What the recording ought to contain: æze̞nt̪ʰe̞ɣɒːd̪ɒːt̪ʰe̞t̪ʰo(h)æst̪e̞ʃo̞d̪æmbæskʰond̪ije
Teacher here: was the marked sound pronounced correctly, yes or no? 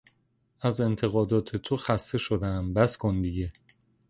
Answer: no